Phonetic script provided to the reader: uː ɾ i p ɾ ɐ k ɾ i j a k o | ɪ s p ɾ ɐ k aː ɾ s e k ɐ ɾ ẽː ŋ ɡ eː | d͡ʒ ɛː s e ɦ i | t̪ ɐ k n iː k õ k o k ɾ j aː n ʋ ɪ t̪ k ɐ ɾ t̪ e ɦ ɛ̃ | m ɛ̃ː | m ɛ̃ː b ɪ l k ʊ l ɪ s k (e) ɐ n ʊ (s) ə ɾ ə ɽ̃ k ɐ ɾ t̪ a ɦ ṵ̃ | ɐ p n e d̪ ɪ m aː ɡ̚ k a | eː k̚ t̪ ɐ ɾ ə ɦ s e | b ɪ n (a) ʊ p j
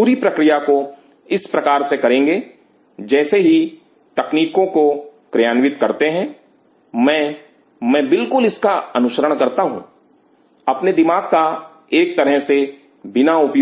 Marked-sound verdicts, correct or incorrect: incorrect: a, incorrect: ʃ, correct

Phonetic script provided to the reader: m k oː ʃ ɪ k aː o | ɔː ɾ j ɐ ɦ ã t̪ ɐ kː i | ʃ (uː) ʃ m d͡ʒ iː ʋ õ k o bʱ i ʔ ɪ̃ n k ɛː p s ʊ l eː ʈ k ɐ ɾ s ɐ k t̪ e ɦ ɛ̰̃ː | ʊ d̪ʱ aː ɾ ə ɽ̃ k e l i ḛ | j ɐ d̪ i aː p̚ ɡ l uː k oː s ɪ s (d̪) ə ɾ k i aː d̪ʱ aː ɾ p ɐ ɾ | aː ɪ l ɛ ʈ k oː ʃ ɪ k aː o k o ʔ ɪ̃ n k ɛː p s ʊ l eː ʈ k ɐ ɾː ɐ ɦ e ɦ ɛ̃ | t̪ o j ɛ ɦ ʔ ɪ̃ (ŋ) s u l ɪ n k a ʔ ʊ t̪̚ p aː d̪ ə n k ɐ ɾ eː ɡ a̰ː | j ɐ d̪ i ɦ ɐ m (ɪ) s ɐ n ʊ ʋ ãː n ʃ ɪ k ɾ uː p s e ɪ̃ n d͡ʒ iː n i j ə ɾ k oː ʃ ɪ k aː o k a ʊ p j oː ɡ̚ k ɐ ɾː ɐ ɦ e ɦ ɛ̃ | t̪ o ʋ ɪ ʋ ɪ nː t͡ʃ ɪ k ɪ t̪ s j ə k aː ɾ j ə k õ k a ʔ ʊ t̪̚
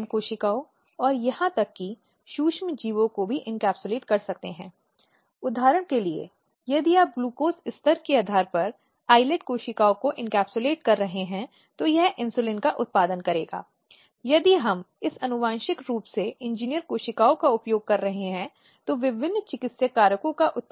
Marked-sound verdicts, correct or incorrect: correct, incorrect: t̪, incorrect: n, correct

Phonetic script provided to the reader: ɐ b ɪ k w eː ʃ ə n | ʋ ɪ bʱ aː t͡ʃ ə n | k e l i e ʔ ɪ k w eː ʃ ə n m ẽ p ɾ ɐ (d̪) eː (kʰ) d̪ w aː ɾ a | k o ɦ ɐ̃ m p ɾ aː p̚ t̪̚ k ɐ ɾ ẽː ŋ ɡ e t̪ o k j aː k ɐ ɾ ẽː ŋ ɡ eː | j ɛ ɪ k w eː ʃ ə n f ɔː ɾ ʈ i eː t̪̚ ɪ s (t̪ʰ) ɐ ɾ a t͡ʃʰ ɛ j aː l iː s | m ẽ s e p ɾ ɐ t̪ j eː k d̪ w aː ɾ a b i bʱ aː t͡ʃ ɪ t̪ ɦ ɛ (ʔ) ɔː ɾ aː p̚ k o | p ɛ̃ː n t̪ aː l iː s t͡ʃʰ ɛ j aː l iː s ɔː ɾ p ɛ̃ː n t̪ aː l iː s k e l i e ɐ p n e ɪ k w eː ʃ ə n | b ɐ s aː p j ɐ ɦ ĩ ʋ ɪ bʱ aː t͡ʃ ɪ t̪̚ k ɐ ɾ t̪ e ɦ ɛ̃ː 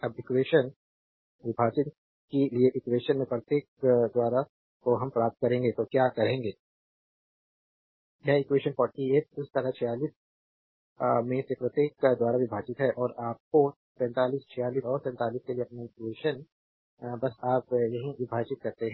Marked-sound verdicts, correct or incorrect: incorrect: t̪, incorrect: k, incorrect: t̪, correct

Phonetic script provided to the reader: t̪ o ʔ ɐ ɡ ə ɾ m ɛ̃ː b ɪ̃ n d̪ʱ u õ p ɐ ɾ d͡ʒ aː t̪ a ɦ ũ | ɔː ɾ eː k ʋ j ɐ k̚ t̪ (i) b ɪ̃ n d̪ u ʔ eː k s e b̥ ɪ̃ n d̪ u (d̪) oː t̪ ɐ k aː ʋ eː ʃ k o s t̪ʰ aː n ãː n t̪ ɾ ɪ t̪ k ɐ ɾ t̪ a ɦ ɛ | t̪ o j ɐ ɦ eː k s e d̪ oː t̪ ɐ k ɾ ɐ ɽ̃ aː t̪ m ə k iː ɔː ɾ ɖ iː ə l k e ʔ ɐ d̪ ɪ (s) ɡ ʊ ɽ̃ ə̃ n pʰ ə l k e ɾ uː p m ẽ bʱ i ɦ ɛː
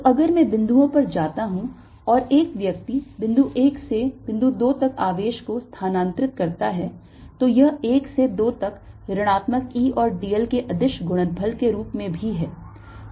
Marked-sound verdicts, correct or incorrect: correct, correct, incorrect: ʃ

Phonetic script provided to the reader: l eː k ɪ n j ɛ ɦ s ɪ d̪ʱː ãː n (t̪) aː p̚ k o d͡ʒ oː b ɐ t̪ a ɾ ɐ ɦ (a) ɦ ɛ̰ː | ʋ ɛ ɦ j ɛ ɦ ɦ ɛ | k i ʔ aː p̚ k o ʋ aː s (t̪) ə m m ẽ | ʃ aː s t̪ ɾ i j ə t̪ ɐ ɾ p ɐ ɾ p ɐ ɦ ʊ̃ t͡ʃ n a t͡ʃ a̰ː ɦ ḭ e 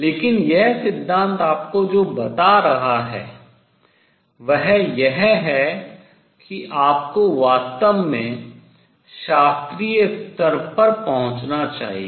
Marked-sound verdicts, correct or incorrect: correct, correct, correct

